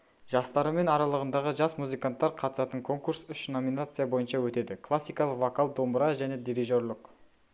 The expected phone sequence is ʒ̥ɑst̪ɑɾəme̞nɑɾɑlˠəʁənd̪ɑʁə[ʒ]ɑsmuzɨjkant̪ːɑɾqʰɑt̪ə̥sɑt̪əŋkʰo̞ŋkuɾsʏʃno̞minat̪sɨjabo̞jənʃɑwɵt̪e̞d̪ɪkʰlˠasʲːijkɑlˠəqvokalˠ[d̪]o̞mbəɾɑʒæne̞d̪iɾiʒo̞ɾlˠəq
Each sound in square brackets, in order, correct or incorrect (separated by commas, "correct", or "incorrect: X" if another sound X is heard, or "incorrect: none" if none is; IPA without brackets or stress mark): correct, correct